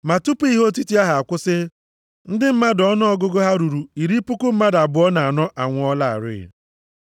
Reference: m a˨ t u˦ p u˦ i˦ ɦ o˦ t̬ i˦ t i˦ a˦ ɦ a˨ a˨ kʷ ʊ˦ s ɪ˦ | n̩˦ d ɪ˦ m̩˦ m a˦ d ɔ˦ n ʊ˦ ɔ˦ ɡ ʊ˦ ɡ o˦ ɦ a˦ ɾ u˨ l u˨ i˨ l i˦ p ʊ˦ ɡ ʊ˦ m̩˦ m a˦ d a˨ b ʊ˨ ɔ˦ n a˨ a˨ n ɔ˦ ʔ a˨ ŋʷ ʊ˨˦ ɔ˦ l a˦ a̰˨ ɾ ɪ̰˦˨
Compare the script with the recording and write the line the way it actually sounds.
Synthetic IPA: m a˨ t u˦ p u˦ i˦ ɦ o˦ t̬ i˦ t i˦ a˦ ɦ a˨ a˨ kʷ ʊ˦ s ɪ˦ | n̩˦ d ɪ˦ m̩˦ m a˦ d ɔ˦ n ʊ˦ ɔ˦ ɡ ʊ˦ ɡ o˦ ɦ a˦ ɾ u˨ ɾ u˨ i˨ ɾ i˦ p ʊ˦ k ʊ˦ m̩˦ m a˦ d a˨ b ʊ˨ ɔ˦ n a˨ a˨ n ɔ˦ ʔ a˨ ŋʷ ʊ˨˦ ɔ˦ l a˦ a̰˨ ɾ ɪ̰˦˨